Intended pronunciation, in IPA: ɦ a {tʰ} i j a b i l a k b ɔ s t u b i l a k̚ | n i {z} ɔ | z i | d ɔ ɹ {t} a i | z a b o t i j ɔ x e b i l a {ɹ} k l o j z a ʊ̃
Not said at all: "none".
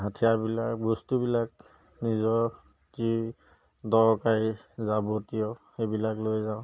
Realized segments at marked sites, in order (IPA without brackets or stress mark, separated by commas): tʰ, z, k, none